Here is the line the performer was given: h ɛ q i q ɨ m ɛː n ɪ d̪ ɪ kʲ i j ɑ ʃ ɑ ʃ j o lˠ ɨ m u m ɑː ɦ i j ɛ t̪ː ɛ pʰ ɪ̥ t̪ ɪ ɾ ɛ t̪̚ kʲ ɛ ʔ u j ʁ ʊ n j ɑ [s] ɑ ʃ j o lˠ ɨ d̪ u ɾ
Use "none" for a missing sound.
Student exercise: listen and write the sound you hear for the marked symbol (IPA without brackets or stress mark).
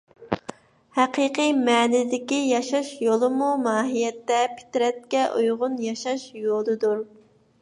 ʃ